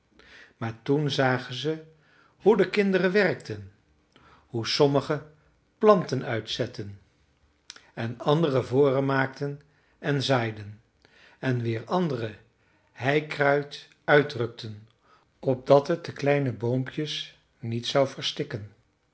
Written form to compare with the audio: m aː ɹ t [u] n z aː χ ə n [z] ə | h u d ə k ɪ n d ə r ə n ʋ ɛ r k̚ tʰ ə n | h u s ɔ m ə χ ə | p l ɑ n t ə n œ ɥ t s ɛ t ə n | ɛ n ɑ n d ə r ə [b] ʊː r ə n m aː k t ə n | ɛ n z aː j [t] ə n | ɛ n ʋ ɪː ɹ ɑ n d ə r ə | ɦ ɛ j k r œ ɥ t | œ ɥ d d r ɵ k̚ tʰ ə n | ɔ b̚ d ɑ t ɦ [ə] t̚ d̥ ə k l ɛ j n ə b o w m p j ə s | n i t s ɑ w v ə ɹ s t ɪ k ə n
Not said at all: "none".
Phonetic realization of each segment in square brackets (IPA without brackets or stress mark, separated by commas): u, z, v, d, ə